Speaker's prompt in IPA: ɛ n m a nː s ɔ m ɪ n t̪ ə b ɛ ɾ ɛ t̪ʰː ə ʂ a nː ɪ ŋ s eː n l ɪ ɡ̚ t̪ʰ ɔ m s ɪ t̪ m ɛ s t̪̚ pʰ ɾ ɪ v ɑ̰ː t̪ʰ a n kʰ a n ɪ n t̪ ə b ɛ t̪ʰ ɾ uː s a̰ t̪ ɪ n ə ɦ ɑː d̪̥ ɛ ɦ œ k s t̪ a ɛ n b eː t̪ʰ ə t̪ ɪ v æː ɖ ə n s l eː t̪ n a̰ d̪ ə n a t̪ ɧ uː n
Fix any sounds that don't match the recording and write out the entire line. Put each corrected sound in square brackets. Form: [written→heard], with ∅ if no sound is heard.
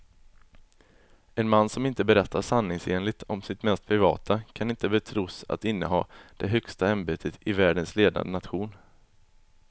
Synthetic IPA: ɛ n m a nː s ɔ m ɪ n t̪ ə b ɛ ɾ ɛ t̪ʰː [ə→a] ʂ a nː ɪ ŋ s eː n l ɪ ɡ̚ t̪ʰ ɔ m s ɪ t̪ m ɛ s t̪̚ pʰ ɾ ɪ v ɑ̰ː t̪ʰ a [n→∅] kʰ a n ɪ n t̪ ə b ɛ t̪ʰ ɾ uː s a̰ t̪ ɪ [n→nː] ə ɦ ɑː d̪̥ ɛ ɦ œ k s t̪ a ɛ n b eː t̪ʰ ə t̪ ɪ v æː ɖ ə n s l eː [t̪→d̪] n a̰ d̪ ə n a t̪ ɧ uː n